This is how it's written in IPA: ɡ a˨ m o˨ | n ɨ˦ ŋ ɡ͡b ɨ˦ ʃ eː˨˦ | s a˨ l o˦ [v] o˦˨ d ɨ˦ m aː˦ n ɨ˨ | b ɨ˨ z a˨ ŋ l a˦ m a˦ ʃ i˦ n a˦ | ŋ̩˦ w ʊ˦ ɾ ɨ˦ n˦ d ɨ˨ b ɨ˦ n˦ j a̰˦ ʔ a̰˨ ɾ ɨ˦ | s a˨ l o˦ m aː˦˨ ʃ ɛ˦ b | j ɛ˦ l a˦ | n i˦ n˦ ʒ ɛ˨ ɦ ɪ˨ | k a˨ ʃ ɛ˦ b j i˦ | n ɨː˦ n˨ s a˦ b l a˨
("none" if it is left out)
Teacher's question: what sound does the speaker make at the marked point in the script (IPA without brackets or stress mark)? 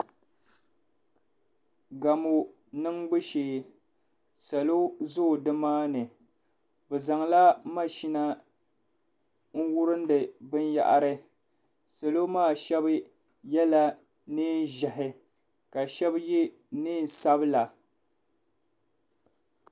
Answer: z